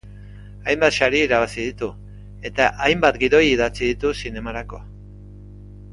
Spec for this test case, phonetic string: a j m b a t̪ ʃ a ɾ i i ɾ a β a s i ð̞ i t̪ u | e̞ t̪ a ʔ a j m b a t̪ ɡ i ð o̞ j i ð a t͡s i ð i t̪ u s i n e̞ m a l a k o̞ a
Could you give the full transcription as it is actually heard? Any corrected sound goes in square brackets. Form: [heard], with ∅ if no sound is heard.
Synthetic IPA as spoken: a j m b a t̪ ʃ a ɾ i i ɾ a β a s i ð̞ i t̪ u | e̞ t̪ a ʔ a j m b a t̪ ɡ i ð o̞ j i ð a t͡s i ð i t̪ u s i n e̞ m a [ɾ] a k o̞ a